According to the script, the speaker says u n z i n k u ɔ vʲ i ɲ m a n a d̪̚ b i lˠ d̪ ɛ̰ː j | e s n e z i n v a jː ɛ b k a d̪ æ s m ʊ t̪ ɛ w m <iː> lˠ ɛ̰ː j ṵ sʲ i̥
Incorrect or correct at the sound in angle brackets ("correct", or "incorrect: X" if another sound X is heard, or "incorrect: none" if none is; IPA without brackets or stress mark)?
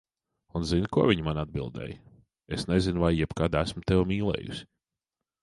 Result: correct